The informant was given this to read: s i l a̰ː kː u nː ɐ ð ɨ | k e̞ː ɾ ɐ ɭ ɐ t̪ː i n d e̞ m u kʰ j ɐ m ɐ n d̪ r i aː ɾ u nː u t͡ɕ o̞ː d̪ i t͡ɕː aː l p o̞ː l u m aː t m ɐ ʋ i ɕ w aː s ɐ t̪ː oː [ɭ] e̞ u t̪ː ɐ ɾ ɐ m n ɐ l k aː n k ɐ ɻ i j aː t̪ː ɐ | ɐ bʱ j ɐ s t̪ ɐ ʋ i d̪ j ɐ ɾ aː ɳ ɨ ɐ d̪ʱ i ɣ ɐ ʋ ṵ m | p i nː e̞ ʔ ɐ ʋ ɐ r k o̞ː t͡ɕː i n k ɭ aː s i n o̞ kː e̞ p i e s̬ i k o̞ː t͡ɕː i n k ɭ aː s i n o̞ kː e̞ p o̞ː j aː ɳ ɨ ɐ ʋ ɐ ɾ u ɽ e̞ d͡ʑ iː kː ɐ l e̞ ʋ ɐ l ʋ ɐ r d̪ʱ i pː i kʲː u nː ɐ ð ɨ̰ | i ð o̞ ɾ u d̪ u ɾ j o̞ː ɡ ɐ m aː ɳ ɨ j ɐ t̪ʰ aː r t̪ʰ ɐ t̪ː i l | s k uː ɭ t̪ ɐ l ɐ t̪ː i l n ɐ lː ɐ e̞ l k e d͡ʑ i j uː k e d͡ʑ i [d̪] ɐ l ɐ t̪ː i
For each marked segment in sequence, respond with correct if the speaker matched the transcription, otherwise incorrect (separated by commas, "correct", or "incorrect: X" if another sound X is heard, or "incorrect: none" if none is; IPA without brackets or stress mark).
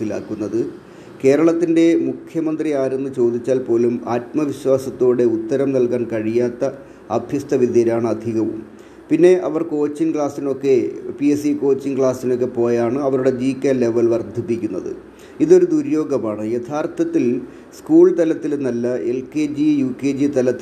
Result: incorrect: ɽ, incorrect: t̪